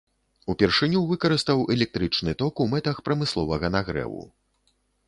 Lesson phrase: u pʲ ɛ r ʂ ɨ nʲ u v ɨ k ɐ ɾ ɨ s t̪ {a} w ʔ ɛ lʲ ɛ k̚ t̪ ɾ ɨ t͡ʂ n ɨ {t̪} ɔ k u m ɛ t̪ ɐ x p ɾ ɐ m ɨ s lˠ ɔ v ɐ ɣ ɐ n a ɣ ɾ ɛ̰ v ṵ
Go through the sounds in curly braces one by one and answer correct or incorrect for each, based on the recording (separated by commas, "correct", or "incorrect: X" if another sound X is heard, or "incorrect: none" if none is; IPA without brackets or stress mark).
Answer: incorrect: ɐ, correct